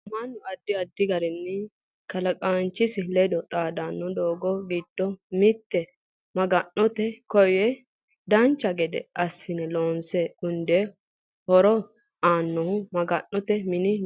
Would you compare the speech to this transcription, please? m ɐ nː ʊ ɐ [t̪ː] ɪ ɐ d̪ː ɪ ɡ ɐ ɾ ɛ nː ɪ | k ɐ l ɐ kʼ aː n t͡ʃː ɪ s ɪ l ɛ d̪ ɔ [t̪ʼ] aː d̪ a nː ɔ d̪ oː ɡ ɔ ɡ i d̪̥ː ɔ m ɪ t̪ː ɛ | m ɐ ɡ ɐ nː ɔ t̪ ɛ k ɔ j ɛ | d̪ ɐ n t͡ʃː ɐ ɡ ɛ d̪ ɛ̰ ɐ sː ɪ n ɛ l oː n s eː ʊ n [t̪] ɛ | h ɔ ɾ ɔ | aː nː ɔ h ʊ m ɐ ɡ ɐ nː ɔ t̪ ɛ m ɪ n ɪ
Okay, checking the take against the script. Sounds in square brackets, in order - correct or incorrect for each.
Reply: incorrect: d̪ː, correct, incorrect: d̪

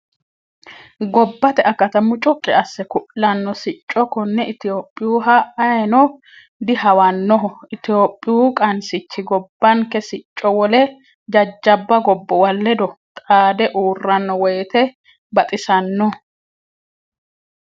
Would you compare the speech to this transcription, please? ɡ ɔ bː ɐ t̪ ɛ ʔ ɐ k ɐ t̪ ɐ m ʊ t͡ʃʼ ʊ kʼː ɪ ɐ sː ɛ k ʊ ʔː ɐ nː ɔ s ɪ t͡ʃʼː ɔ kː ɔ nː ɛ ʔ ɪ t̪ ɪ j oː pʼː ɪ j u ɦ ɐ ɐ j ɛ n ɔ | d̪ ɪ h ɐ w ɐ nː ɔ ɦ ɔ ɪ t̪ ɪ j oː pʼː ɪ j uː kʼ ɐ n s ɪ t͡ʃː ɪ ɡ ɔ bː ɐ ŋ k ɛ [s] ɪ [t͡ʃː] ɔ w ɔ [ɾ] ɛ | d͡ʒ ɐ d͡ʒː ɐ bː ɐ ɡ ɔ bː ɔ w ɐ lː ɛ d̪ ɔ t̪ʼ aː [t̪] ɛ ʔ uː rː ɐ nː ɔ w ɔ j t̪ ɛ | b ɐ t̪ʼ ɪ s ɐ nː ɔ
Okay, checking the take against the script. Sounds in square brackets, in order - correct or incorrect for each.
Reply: correct, incorrect: t͡ʃʼː, incorrect: l, incorrect: d̪

